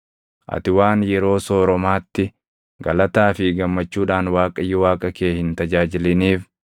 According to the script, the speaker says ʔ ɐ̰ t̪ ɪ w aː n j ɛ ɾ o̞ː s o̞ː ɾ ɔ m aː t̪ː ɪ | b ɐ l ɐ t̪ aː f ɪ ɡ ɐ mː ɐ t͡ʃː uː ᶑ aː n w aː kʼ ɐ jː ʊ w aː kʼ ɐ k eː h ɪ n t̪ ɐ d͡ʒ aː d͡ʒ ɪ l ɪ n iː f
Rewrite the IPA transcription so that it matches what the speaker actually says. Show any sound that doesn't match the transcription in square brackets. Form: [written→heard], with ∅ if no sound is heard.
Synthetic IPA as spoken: ʔ ɐ̰ t̪ ɪ w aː n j ɛ ɾ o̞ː s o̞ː ɾ ɔ m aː t̪ː ɪ | [b→ɡ] ɐ l ɐ t̪ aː f ɪ ɡ ɐ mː ɐ t͡ʃː uː ᶑ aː n w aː kʼ ɐ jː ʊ w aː kʼ ɐ k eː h ɪ n t̪ ɐ d͡ʒ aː d͡ʒ ɪ l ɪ n iː f

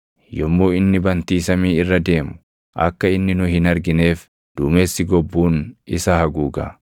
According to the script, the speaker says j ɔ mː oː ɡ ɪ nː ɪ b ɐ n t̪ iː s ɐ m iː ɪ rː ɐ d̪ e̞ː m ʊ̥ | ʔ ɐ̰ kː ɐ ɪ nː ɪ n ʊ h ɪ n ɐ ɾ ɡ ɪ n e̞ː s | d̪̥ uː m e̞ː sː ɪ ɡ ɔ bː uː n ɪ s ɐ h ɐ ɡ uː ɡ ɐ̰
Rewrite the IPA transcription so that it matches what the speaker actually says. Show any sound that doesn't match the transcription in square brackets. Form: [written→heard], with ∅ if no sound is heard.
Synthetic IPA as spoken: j ɔ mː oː [ɡ→∅] ɪ nː ɪ b ɐ n t̪ iː s ɐ m iː ɪ rː ɐ d̪ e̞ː m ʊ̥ | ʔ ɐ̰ kː ɐ ɪ nː ɪ n ʊ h ɪ n ɐ ɾ ɡ ɪ n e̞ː [s→f] | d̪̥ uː m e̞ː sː ɪ ɡ ɔ bː uː n ɪ s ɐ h ɐ ɡ uː ɡ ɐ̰

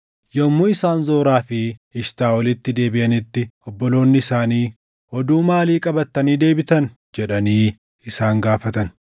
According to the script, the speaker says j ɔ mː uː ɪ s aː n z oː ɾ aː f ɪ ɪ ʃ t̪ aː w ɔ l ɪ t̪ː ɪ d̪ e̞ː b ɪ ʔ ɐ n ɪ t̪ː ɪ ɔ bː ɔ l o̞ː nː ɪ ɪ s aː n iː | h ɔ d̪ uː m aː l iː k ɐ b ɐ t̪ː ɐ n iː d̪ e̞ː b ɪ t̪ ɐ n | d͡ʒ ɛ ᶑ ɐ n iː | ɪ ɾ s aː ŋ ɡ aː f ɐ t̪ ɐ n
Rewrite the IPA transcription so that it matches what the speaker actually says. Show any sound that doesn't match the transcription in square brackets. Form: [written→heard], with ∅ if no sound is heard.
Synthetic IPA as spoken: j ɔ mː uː ɪ s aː n z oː ɾ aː f ɪ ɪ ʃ t̪ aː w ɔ l ɪ t̪ː ɪ d̪ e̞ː b ɪ ʔ ɐ n ɪ t̪ː ɪ ɔ bː ɔ l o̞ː nː ɪ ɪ s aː n iː | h ɔ d̪ uː m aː l iː [k→kʼ] ɐ b ɐ t̪ː ɐ n iː d̪ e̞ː b ɪ t̪ ɐ n | d͡ʒ ɛ ᶑ ɐ n iː | ɪ [ɾ→∅] s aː ŋ ɡ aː f ɐ t̪ ɐ n

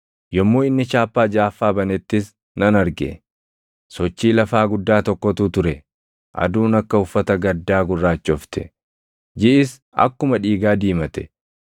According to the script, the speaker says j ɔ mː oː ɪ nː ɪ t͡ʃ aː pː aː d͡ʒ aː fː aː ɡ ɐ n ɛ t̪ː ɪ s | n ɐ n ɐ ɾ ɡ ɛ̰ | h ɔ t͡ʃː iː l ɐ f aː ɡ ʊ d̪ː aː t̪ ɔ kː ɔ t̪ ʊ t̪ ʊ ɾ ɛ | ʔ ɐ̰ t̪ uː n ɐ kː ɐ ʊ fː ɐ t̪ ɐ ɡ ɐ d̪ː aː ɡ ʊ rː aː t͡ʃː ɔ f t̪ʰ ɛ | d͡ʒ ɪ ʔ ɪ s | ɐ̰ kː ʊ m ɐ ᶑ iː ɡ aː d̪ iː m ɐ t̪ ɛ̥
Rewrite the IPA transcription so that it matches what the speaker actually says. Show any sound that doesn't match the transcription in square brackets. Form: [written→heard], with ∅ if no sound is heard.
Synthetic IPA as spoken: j ɔ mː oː ɪ nː ɪ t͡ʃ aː pː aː d͡ʒ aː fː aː [ɡ→b] ɐ n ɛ t̪ː ɪ s | n ɐ n ɐ ɾ ɡ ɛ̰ | [h→s] ɔ t͡ʃː iː l ɐ f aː ɡ ʊ d̪ː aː t̪ ɔ kː ɔ t̪ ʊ t̪ ʊ ɾ ɛ | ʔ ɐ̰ [t̪→d̪] uː n ɐ kː ɐ ʊ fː ɐ t̪ ɐ ɡ ɐ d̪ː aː ɡ ʊ rː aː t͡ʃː ɔ f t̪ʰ ɛ | d͡ʒ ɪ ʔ ɪ s | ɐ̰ kː ʊ m ɐ ᶑ iː ɡ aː d̪ iː m ɐ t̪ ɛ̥

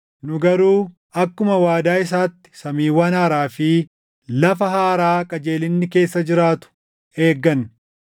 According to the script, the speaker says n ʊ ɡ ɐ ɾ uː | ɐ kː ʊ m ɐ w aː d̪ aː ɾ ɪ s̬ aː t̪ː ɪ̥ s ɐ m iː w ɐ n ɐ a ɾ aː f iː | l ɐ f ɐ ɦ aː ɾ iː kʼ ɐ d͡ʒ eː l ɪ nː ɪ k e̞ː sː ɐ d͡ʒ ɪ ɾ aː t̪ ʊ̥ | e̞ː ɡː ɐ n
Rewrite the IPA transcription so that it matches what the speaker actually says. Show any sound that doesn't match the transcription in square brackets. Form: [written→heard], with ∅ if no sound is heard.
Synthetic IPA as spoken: n ʊ ɡ ɐ ɾ uː | ɐ kː ʊ m ɐ w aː d̪ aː [ɾ→∅] ɪ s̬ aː t̪ː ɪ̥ s ɐ m iː w ɐ n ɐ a ɾ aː f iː | l ɐ f ɐ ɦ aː ɾ [iː→aː] kʼ ɐ d͡ʒ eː l ɪ nː ɪ k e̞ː sː ɐ d͡ʒ ɪ ɾ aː t̪ ʊ̥ | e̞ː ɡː ɐ n

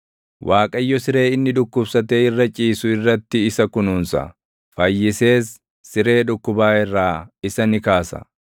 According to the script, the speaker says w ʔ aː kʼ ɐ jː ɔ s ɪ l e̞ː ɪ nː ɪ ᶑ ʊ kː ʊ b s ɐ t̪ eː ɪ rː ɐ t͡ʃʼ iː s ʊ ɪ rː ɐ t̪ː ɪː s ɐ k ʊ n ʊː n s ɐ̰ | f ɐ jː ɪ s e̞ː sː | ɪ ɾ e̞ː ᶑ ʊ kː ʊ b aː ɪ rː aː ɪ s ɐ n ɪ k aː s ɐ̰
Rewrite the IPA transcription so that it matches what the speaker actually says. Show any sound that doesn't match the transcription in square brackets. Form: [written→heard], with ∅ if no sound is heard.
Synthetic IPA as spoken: w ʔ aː kʼ ɐ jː ɔ s ɪ [l→ɾ] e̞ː ɪ nː ɪ ᶑ ʊ kː ʊ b s ɐ t̪ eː ɪ rː ɐ t͡ʃʼ iː s ʊ ɪ rː ɐ t̪ː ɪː s ɐ k ʊ n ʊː n s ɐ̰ | f ɐ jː ɪ s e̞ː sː | ɪ ɾ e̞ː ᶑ ʊ kː ʊ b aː ɪ rː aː ɪ s ɐ n ɪ k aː s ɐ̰

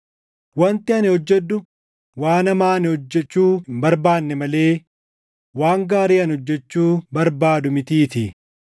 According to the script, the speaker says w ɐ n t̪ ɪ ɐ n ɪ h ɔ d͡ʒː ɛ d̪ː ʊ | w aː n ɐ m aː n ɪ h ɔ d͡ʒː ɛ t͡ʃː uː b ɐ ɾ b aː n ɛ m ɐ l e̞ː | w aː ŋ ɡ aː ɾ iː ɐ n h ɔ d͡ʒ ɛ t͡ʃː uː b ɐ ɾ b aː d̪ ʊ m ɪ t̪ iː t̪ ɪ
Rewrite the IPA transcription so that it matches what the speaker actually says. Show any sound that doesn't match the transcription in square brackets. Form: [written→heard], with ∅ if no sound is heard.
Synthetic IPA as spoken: w ɐ n t̪ ɪ ɐ n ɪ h ɔ d͡ʒː ɛ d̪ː ʊ | w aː n ɐ m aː n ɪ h ɔ d͡ʒː ɛ t͡ʃː uː b ɐ ɾ b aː [n→nː] ɛ m ɐ l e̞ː | w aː ŋ ɡ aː ɾ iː ɐ n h ɔ [d͡ʒ→d͡ʒː] ɛ t͡ʃː uː b ɐ ɾ b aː d̪ ʊ m ɪ t̪ iː t̪ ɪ

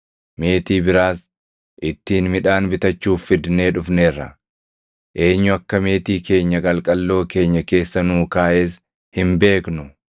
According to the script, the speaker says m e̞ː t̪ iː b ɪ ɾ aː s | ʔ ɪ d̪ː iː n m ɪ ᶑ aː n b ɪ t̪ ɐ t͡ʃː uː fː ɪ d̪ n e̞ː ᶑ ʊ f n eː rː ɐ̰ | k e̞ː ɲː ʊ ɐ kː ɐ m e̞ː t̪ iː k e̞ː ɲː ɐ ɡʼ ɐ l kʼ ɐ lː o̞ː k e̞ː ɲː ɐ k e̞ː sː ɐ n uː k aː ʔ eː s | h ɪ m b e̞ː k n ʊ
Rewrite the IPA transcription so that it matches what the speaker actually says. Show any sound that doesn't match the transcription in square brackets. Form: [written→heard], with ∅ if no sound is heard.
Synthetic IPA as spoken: m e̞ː t̪ iː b ɪ ɾ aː s | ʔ ɪ [d̪ː→t̪ː] iː n m ɪ ᶑ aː n b ɪ t̪ ɐ t͡ʃː uː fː ɪ d̪ n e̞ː ᶑ ʊ f n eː rː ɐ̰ | [k→ʔ] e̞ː ɲː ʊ ɐ kː ɐ m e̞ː t̪ iː k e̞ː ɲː ɐ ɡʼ ɐ l kʼ ɐ lː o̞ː k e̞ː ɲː ɐ k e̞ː sː ɐ n uː k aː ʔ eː s | h ɪ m b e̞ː k n ʊ

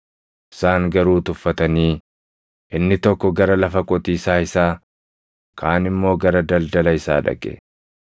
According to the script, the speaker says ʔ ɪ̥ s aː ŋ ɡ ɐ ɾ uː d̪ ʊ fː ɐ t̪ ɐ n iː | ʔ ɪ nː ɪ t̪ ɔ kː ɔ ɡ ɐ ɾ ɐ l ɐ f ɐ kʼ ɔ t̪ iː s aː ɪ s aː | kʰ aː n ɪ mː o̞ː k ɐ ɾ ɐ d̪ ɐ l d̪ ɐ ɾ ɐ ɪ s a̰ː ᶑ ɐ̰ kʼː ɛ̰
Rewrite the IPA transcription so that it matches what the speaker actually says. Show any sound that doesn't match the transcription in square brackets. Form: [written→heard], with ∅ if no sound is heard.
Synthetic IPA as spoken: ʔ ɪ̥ s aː ŋ ɡ ɐ ɾ uː [d̪→t̪] ʊ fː ɐ t̪ ɐ n iː | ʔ ɪ nː ɪ t̪ ɔ kː ɔ ɡ ɐ ɾ ɐ l ɐ f ɐ kʼ ɔ t̪ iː s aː ɪ s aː | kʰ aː n ɪ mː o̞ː [k→ɡ] ɐ ɾ ɐ d̪ ɐ l d̪ ɐ [ɾ→l] ɐ ɪ s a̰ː ᶑ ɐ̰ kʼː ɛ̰

